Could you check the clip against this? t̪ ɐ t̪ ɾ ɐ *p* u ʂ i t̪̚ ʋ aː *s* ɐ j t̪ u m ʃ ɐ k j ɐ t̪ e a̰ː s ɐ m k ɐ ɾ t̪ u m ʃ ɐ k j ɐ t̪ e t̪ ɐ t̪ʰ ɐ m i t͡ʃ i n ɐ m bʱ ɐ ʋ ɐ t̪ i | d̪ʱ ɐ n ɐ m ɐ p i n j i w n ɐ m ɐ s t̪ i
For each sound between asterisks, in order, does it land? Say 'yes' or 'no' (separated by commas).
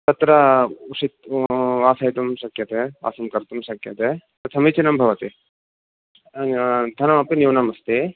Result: no, yes